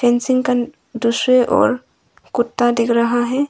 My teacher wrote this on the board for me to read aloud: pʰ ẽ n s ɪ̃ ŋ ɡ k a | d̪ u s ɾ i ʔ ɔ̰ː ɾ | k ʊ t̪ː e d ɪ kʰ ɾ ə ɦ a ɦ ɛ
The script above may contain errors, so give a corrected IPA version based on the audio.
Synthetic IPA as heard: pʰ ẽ n s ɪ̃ ŋ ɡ k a | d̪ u s ɾ e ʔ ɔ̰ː ɾ | k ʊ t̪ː a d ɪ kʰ ɾ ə ɦ a ɦ ɛ